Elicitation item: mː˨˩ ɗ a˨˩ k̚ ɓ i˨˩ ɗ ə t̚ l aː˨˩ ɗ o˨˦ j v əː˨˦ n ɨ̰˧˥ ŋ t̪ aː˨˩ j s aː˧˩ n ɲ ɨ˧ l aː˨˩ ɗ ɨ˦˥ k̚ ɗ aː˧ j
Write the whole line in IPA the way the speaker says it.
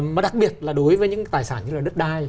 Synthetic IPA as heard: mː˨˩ ɗ a˨˩ k̚ ɓ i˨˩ ə t̚ l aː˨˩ ɗ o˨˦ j v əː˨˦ ɲ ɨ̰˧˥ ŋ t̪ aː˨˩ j s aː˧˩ n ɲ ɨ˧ l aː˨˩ ɗ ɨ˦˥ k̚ ɗ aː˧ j